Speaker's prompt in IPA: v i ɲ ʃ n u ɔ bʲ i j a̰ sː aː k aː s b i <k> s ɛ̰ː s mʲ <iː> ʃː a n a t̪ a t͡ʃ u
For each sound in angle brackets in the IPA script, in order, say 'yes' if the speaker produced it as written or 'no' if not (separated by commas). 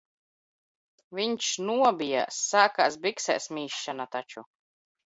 yes, yes